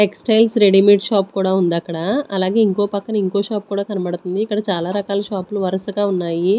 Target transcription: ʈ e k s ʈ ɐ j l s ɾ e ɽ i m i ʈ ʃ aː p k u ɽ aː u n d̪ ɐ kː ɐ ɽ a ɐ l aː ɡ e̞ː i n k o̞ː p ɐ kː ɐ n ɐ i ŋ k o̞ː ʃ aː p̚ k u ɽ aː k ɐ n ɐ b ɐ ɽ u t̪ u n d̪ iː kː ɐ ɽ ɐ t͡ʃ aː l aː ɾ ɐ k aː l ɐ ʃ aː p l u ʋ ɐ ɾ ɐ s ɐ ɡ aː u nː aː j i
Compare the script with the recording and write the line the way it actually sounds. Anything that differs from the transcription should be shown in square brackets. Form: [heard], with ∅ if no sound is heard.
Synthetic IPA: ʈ e k s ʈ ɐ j l s ɾ e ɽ i m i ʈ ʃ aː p k [uː] ɽ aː u n d̪ ɐ kː ɐ ɽ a ɐ l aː ɡ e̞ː i [ŋ] k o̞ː p ɐ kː ɐ n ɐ i ŋ k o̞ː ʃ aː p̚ k [uː] ɽ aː k ɐ n ɐ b ɐ ɽ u t̪ u n d̪ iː kː ɐ ɽ ɐ t͡ʃ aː l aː ɾ ɐ k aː l ɐ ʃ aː p l u ʋ ɐ ɾ ɐ s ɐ ɡ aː u nː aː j i